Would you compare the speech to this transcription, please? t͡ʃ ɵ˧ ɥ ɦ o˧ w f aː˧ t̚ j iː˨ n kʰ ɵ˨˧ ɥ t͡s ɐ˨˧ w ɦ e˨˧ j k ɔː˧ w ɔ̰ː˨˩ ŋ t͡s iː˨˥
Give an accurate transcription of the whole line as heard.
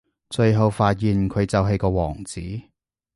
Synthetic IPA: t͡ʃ ɵ˧ ɥ ɦ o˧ w f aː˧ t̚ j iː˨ n kʰ ɵ˨˧ ɥ t͡s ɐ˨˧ w ɦ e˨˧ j k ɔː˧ w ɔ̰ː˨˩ ŋ t͡s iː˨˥